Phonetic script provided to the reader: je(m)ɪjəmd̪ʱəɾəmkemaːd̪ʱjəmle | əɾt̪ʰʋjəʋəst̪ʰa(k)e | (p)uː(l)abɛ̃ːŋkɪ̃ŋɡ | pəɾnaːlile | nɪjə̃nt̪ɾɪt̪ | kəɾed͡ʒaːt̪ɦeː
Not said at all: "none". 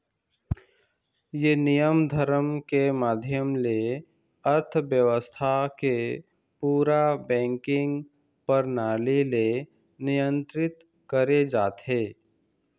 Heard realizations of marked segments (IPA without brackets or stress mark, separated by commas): n, k, p, ɾ